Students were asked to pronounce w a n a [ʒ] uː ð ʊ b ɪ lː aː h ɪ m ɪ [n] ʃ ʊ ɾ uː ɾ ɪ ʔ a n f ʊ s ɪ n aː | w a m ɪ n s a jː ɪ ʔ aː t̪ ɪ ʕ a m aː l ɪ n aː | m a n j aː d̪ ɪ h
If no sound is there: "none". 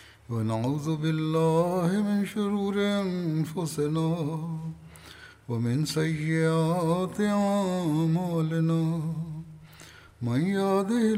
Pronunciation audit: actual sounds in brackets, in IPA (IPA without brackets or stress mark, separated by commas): ʕ, n